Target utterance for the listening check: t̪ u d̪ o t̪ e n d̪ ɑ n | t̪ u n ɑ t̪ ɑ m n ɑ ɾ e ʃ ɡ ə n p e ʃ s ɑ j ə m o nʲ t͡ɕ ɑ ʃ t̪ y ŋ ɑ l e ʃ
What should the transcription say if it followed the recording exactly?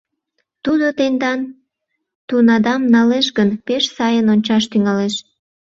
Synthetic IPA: t̪ u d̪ o t̪ e n d̪ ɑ n | t̪ u n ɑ d̪ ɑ m n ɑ l e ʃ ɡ ə n p e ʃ s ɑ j ə n o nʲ t͡ɕ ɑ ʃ t̪ y ŋ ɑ l e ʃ